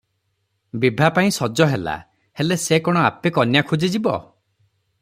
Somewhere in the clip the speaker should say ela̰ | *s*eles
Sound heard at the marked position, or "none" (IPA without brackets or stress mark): h